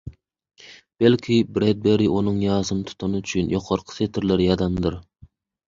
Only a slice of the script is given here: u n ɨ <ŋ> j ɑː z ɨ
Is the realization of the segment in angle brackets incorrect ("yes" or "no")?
no